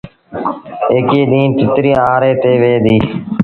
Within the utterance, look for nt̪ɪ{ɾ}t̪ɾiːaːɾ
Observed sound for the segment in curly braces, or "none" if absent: none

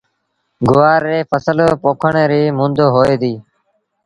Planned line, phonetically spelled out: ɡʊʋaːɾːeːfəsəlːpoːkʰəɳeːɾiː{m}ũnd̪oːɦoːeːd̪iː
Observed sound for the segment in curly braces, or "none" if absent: m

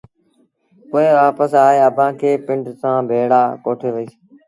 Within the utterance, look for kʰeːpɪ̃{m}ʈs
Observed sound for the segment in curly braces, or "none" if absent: ɳ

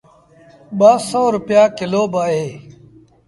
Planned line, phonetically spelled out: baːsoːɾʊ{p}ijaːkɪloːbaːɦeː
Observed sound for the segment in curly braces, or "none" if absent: p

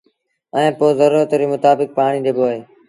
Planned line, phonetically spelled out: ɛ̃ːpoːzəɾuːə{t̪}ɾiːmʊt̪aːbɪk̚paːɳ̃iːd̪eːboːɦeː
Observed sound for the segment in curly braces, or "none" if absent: t̪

